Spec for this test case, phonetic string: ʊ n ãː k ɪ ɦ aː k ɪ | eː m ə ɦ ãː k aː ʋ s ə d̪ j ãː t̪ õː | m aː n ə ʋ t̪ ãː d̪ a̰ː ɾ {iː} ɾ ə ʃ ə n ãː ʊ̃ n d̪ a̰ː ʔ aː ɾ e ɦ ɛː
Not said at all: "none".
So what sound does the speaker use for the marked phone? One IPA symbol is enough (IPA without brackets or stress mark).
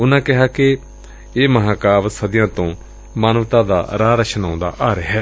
aː